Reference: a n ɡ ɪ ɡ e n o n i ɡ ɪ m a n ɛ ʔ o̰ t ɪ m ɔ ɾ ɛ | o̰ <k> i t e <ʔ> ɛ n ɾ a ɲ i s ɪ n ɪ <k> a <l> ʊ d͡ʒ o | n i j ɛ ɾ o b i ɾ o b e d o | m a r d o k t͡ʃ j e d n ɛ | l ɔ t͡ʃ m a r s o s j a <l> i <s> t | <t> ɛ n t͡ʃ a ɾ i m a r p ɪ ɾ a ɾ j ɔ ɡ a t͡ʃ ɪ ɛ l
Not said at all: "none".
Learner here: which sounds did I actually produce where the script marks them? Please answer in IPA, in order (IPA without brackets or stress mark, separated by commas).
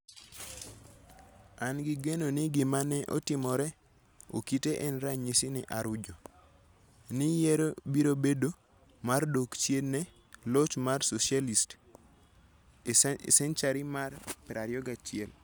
k, ʔ, ʔ, ɾ, l, s, s